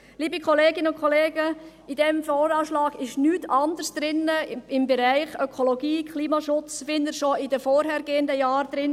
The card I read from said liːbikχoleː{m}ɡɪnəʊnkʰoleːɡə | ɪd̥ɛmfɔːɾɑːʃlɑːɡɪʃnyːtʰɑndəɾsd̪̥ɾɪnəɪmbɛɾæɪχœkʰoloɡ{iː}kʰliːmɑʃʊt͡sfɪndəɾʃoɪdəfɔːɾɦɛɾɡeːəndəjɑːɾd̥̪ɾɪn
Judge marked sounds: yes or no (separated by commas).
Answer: no, yes